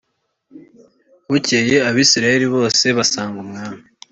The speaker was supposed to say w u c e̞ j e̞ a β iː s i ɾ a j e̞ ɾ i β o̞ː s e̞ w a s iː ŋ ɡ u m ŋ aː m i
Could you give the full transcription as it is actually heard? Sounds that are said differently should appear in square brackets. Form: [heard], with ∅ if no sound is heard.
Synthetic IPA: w u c e̞ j e̞ a β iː s i ɾ a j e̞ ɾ i β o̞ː s e̞ [β] a s [aː] ŋ ɡ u m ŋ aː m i

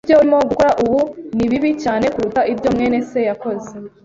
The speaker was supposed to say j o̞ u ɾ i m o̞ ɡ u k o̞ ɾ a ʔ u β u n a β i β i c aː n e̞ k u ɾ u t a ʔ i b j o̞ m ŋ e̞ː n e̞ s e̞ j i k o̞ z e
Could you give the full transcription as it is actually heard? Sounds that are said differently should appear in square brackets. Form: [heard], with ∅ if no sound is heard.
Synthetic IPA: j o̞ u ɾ i m o̞ ɡ u k o̞ ɾ a ʔ u β u n [i] β i β i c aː n e̞ k u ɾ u t a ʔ i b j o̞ m ŋ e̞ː n e̞ s e̞ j [a] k o̞ z e

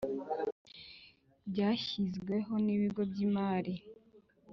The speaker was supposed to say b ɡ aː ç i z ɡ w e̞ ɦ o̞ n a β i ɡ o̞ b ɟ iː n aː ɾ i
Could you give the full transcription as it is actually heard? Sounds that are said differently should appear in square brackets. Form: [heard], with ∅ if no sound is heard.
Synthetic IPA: b [ɟ] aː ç i z ɡ w e̞ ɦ o̞ n [i] β i ɡ o̞ b ɟ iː [m] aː ɾ i

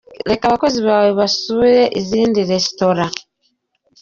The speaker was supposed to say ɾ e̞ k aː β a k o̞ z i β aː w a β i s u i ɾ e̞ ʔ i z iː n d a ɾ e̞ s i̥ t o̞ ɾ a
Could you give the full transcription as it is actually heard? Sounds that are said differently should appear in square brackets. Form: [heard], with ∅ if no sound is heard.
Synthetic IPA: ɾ e̞ k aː β a k o̞ z i β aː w [e] β [a] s u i ɾ e̞ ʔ i z iː n d [i] ɾ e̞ s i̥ t o̞ ɾ a

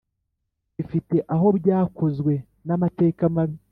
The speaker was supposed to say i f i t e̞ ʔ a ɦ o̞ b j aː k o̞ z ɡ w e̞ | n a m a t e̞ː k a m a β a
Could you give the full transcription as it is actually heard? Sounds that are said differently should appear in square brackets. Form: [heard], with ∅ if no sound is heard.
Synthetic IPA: i f i t e̞ ʔ a ɦ o̞ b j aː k o̞ z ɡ w e̞ | n a m a t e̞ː k a m a β [i]

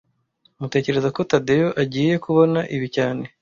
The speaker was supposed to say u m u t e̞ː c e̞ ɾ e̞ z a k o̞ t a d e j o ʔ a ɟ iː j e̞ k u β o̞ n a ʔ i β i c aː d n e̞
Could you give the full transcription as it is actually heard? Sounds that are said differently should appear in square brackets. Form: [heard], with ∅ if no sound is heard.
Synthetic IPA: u m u t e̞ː c e̞ ɾ e̞ z a k o̞ t a d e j o ʔ a ɟ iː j e̞ k u β o̞ n a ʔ i β i c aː [∅] n e̞

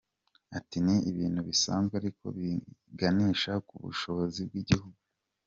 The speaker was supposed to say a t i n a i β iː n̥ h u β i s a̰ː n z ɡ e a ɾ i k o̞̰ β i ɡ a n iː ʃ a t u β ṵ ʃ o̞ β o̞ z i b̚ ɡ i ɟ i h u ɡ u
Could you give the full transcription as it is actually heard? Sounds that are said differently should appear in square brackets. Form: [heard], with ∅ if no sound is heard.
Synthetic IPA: a t i n [i] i β iː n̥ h u β i s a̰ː n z ɡ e a ɾ i k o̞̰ β i ɡ a n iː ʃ a [k] u β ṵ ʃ o̞ β o̞ z i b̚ ɡ i ɟ i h u ɡ u

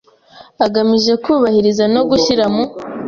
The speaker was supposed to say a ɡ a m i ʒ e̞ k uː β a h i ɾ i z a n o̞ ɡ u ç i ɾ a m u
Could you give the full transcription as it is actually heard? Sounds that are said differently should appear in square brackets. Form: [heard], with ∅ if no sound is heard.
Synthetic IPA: a ɡ a m i ʒ e̞ k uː β a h i ɾ i z a n o̞ ɡ u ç i ɾ a m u

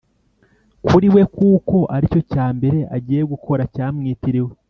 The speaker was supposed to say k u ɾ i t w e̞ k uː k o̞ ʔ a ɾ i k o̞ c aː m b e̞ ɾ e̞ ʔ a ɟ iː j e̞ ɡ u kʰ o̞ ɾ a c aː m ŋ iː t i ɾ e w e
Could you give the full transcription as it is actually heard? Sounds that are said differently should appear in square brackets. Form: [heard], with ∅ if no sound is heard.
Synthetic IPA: k u ɾ i [∅] w e̞ k uː k o̞ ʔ a ɾ i [c] o̞ c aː m b e̞ ɾ e̞ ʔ a ɟ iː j e̞ ɡ u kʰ o̞ ɾ a c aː m ŋ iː t i ɾ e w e

